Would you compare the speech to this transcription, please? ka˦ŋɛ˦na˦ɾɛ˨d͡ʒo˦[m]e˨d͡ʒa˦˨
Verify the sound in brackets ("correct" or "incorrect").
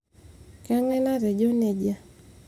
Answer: incorrect